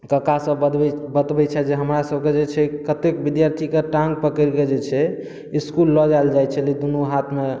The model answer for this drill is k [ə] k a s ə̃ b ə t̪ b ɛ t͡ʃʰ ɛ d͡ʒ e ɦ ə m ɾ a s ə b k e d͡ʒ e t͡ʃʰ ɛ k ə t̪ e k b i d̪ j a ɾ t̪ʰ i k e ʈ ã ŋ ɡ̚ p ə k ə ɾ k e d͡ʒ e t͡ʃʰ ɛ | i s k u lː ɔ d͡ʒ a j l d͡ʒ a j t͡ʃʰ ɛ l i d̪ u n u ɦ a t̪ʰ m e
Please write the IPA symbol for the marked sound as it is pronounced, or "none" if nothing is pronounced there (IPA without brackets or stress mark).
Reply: ə